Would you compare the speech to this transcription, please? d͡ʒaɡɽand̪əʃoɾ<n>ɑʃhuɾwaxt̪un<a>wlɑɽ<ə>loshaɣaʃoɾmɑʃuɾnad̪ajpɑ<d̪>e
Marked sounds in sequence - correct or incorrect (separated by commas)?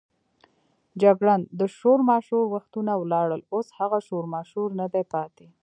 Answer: incorrect, correct, correct, incorrect